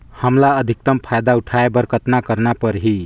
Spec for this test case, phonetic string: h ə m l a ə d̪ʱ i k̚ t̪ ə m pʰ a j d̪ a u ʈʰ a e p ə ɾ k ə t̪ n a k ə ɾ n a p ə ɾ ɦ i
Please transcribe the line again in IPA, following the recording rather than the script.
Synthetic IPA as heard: h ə m l a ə d̪ʱ i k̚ t̪ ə m pʰ a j d̪ a u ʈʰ a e b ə ɾ k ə t̪ n a k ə ɾ n a p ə ɾ ɦ i